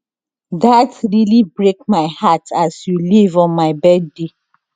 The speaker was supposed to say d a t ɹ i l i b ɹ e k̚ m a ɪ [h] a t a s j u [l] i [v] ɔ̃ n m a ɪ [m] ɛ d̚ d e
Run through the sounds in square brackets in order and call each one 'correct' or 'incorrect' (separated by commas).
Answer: correct, correct, correct, incorrect